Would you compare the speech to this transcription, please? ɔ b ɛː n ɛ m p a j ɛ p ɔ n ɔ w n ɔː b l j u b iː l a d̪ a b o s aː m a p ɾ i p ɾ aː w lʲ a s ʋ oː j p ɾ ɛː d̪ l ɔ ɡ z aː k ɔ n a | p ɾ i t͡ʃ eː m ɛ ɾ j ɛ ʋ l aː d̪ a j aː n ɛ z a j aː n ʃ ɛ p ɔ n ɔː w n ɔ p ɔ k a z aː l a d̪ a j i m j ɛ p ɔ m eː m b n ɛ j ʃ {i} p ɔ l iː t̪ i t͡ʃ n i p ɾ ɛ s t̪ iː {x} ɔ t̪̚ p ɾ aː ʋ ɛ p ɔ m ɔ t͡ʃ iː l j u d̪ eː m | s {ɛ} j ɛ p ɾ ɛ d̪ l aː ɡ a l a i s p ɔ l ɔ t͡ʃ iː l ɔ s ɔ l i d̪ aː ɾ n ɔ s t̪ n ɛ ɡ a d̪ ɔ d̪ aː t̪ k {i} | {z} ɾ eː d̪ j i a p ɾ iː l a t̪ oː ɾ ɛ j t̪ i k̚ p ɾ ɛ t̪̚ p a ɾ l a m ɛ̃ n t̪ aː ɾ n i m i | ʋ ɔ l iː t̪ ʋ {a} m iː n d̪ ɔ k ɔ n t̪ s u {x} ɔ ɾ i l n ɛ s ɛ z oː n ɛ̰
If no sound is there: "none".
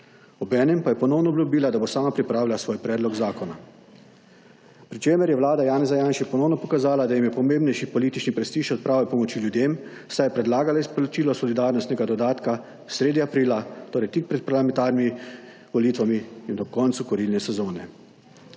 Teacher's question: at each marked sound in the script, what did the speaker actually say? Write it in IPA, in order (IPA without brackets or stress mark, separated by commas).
i, ʃ, a, a, s, a, k